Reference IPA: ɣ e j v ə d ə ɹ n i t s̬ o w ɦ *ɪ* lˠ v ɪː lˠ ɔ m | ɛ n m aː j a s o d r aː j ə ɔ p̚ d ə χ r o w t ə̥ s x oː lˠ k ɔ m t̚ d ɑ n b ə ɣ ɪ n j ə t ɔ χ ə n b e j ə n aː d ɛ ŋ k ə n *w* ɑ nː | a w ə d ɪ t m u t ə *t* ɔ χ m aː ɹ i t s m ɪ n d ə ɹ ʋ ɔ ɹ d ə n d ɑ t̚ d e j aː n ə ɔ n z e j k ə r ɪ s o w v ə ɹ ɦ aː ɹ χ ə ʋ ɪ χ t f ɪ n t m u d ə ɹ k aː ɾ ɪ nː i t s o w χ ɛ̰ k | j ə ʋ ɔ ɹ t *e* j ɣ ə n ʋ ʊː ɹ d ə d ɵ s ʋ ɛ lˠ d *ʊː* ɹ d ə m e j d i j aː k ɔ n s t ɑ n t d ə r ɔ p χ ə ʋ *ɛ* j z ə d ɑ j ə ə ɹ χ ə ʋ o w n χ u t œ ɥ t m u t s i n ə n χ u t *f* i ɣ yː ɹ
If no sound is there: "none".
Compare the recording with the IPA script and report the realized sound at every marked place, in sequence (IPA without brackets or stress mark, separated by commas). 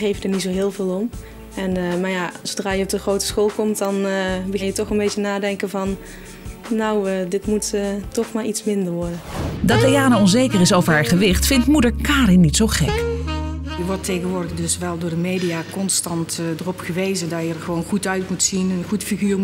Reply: ɪː, v, t, e, ʊː, e, f